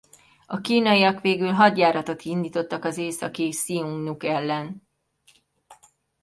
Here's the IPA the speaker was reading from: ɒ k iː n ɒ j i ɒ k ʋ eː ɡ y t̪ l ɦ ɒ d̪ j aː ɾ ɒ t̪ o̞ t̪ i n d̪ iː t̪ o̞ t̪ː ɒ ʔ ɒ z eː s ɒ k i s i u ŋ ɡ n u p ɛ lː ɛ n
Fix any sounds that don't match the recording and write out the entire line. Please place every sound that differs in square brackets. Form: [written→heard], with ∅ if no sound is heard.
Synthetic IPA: ɒ k iː n ɒ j i ɒ k ʋ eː ɡ y [t̪→∅] l ɦ ɒ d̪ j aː ɾ ɒ t̪ o̞ t̪ i n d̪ iː t̪ o̞ t̪ː ɒ [ʔ→k] ɒ z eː s ɒ k i s i u ŋ ɡ n u [p→k] ɛ lː ɛ n